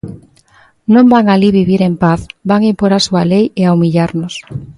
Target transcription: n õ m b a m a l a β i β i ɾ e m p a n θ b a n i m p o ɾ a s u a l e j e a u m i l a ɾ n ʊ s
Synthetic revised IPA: n õ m b a ŋ a l i β i β i ɾ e m p a θ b a ŋ i m p o ɾ a s u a l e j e a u m i ʎ a ɾ n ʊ s